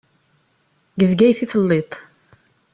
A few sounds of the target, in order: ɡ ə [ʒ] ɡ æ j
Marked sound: incorrect: v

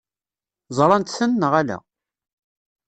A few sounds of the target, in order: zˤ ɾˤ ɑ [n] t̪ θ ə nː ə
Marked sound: correct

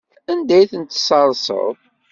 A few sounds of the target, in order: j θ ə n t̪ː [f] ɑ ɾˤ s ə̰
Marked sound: incorrect: s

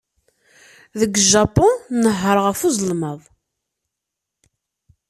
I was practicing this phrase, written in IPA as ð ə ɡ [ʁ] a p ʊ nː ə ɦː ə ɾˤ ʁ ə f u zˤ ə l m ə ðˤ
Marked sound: incorrect: ʒ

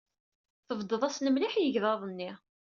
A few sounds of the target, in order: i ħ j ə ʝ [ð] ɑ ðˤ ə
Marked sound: correct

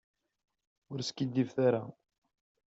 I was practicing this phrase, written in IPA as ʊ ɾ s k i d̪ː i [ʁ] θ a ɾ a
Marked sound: incorrect: v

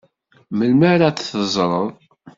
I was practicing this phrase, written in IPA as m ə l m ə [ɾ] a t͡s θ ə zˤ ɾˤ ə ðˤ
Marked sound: correct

